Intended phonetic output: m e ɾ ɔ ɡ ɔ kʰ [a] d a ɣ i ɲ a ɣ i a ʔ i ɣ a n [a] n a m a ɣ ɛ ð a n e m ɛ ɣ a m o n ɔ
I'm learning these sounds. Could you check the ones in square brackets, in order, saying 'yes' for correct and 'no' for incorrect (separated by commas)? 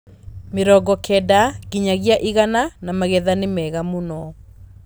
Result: no, yes